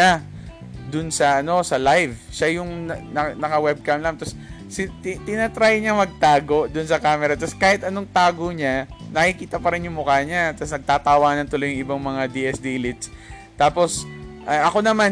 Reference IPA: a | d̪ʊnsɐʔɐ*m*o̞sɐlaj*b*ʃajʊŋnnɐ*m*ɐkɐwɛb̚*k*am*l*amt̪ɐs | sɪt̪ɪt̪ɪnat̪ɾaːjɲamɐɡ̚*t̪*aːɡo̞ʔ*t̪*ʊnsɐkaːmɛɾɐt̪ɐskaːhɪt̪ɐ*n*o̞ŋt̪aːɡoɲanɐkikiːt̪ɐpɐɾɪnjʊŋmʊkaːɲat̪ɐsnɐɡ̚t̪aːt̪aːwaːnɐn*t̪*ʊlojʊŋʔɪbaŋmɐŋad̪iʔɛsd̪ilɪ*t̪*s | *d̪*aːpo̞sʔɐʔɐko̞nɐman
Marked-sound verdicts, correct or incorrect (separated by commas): incorrect, incorrect, incorrect, correct, correct, correct, incorrect, correct, correct, correct, incorrect